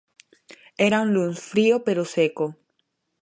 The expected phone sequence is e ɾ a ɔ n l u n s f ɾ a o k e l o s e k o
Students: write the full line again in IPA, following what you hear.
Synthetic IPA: e ɾ a u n l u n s f ɾ i o p e ɾ o s e k o